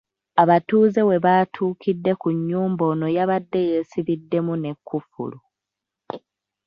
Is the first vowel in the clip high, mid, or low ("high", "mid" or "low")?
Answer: low